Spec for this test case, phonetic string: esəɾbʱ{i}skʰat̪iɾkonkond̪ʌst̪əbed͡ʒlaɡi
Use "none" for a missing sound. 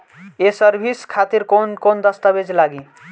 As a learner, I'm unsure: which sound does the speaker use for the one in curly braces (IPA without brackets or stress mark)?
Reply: i